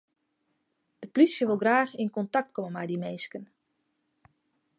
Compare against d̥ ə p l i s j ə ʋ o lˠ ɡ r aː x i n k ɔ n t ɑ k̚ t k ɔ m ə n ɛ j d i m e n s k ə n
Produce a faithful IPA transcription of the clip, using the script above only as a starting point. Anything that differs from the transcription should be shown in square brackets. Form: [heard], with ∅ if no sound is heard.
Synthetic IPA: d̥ ə p l i s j ə ʋ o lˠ ɡ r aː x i n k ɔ n t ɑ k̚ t k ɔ m ə [m] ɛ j d i m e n s k ə n